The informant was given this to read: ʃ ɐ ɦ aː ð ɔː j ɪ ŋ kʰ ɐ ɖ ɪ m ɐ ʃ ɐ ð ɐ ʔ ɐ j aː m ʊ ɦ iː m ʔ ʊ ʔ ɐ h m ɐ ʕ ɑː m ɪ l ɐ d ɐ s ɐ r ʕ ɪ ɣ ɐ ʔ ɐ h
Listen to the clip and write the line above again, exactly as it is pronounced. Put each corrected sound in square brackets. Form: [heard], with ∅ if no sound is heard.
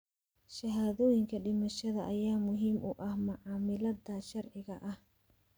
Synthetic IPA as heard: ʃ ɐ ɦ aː ð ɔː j ɪ ŋ kʰ ɐ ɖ ɪ m ɐ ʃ ɐ ð ɐ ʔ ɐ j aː m ʊ ɦ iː m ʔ ʊ ʔ ɐ h m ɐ ʕ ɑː m ɪ l ɐ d ɐ [ʃ] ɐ r ʕ ɪ ɣ ɐ ʔ ɐ h